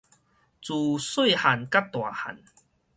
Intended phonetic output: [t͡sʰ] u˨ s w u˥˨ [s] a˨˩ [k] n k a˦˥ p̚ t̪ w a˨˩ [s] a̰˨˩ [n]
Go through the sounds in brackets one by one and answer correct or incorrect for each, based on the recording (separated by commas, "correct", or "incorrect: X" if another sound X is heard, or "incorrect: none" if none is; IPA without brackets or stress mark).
incorrect: t͡s, incorrect: h, incorrect: none, incorrect: h, correct